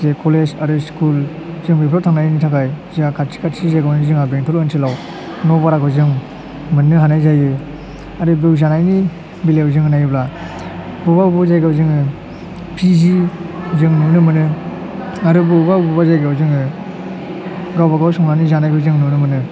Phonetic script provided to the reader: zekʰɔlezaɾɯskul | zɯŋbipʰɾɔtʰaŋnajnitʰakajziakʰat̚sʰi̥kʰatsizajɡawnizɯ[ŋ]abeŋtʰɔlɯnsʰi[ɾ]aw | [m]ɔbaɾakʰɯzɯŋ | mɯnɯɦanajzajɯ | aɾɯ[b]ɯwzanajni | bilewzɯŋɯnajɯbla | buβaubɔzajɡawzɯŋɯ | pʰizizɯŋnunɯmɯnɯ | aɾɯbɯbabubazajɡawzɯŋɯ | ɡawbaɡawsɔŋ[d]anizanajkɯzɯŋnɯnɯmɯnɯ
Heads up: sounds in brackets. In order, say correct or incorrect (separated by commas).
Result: correct, incorrect, incorrect, correct, incorrect